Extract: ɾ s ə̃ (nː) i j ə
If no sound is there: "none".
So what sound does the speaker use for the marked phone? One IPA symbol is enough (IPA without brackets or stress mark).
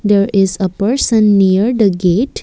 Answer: nː